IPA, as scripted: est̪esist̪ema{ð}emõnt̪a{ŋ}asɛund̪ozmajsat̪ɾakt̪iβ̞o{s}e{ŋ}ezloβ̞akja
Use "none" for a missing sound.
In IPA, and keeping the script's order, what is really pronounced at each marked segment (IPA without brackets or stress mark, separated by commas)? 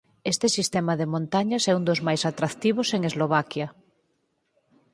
ð, ɲ, s, ŋ